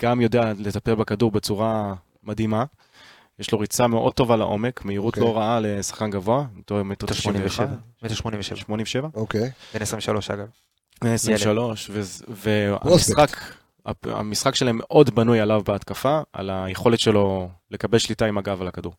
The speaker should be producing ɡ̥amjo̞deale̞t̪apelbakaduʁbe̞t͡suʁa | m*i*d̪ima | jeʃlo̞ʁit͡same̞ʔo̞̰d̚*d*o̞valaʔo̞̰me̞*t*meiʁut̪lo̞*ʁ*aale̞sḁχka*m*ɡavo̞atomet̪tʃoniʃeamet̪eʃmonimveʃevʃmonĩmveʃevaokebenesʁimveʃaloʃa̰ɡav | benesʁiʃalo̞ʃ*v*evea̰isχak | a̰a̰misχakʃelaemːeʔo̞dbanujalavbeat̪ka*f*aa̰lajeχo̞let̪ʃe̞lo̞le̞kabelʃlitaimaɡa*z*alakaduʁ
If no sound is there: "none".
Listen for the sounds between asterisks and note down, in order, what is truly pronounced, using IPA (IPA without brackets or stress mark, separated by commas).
a, t, k, ʁ, n, v, f, v